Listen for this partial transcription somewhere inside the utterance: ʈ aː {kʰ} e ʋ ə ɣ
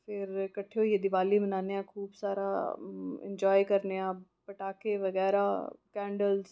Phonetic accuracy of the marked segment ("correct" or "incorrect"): incorrect